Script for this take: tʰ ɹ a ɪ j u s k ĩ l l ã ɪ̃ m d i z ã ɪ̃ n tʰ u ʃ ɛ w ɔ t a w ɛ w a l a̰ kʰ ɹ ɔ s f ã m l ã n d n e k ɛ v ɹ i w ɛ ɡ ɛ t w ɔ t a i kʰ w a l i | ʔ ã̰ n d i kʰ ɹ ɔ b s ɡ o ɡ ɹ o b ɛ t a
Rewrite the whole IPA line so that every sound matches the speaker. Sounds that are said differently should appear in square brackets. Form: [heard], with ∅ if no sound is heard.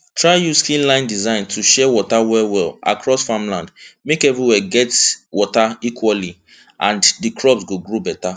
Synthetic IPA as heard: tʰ ɹ a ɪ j u s k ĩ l l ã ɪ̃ [n] d i z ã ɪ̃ n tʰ u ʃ ɛ w ɔ t a w ɛ w [ɛ] l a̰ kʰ ɹ ɔ s f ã m l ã n d [m] e k ɛ v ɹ i w ɛ ɡ ɛ t w ɔ t a i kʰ w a l i | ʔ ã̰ n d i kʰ ɹ ɔ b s ɡ o ɡ ɹ o b ɛ t a